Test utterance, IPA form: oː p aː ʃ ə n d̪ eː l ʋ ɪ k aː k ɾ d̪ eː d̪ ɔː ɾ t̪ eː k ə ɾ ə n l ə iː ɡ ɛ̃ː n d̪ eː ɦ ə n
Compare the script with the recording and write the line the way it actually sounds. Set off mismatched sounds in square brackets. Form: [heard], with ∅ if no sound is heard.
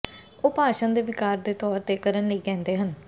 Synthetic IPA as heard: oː p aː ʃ ə n d̪ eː [∅] ʋ ɪ k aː [∅] ɾ d̪ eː [t̪] ɔː ɾ t̪ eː k ə ɾ ə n l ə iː ɡ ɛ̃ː n d̪ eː ɦ ə n